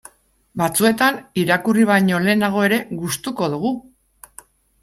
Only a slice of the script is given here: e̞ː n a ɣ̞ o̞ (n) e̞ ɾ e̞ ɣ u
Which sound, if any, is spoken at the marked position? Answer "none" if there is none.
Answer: none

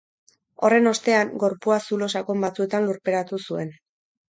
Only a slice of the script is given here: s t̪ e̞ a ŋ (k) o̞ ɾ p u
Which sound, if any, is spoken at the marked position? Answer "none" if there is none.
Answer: ɡ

